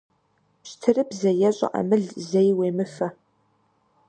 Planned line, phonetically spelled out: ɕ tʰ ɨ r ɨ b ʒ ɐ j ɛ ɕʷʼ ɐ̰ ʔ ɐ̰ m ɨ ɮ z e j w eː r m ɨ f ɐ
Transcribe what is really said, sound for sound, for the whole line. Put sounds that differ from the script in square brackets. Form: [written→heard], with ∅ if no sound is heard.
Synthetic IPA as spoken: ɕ tʰ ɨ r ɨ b [ʒ→z] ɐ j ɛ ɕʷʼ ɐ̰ ʔ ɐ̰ m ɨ ɮ z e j w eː [r→∅] m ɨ f ɐ